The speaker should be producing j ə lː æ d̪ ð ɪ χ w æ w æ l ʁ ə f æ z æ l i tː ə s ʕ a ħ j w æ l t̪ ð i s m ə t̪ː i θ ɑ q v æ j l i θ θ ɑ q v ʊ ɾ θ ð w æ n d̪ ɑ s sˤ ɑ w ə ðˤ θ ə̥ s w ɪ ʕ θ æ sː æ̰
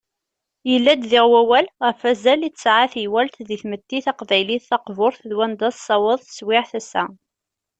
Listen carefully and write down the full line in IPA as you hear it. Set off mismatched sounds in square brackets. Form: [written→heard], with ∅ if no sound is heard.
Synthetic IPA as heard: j ə lː æ d̪ ð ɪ [χ→ʁ] w æ w æ l ʁ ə f æ z æ l i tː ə s ʕ a [ħ→θ] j w æ l t̪ ð i [s→θ] m ə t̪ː i θ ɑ q v æ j l i θ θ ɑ q v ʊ ɾ θ ð w æ n d̪ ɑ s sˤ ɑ w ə ðˤ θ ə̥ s w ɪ ʕ θ æ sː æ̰